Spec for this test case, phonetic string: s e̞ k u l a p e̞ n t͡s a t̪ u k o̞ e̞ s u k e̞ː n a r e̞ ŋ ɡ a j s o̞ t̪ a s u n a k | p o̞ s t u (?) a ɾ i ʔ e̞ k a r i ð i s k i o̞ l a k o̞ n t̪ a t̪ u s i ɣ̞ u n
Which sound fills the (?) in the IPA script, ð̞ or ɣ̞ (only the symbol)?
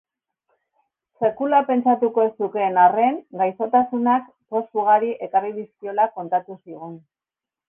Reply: ɣ̞